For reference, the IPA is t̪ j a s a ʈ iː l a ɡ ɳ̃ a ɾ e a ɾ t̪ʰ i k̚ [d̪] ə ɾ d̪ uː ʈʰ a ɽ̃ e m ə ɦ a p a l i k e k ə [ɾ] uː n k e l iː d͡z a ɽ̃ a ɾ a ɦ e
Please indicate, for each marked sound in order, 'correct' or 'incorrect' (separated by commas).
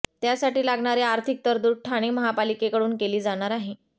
incorrect, incorrect